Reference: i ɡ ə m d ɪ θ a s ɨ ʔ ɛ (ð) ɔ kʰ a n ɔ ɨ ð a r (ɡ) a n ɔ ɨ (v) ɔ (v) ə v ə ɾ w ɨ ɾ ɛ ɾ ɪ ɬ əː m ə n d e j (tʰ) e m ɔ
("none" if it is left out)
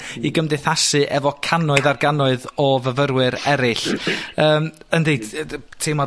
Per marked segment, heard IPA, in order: v, ɡ, ð, v, tʰ

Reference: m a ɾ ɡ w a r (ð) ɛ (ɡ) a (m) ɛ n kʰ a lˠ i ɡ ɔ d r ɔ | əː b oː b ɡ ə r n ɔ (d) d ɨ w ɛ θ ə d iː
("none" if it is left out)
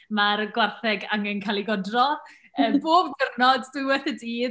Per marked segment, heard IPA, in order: θ, ɡ, ŋ, d

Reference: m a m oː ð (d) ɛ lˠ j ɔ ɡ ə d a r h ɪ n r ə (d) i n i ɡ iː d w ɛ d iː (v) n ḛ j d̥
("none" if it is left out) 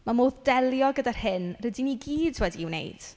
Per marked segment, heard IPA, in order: d, d, w

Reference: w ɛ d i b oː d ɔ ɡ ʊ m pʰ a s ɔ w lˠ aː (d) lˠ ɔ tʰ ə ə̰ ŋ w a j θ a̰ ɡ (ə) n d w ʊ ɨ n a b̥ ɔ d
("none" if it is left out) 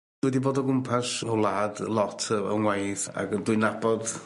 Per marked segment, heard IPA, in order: d, ə

